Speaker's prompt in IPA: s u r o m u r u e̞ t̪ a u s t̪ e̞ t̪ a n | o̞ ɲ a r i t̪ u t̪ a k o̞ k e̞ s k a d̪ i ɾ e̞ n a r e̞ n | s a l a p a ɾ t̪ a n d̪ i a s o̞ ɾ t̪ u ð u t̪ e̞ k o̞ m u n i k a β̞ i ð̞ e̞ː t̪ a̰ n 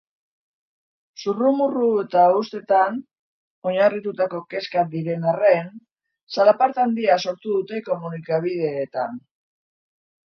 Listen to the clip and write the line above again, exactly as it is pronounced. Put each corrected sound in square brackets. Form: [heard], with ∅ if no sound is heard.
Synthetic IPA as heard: s u r [u] m u r u e̞ t̪ a u s t̪ e̞ t̪ a n | o̞ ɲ a r i t̪ u t̪ a k o̞ k e̞ s k a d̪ i ɾ e̞ n a r e̞ n | s a l a p a ɾ t̪ a n d̪ i a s o̞ ɾ t̪ u ð u t̪ e̞ k o̞ m u n i k a β̞ i ð̞ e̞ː t̪ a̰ n